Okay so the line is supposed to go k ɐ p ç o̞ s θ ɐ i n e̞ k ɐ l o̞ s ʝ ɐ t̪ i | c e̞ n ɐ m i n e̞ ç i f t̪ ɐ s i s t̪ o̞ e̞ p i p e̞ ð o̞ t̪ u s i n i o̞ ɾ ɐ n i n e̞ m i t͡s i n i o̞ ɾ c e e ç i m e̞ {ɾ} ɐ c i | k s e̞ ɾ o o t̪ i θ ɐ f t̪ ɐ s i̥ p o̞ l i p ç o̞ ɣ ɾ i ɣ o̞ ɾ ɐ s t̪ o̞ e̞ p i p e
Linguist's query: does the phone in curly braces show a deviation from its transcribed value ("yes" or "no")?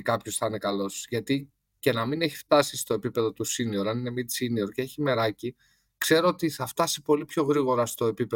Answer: no